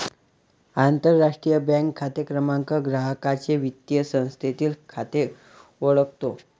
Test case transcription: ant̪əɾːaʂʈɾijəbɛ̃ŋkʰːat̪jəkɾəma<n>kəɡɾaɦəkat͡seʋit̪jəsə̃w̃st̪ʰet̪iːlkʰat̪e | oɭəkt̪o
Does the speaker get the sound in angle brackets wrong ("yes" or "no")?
yes